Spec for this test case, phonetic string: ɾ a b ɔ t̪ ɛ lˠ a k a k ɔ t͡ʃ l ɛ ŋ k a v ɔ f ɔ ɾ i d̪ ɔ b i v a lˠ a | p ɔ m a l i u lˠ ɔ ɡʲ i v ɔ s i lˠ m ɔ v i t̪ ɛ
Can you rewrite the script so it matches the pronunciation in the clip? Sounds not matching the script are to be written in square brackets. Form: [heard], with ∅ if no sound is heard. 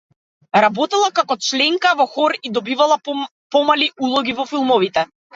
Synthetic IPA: ɾ a b ɔ t̪ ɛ lˠ a k a k ɔ t͡ʃ l ɛ ŋ k a v ɔ [x] ɔ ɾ i d̪ ɔ b i v a lˠ a | p ɔ m a l i u lˠ ɔ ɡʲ i v ɔ [f] i lˠ m ɔ v i t̪ ɛ